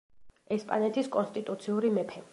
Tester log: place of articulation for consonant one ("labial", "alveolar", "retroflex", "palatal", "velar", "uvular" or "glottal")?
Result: alveolar